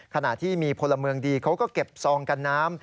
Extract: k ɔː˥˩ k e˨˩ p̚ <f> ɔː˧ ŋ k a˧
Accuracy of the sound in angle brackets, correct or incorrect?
incorrect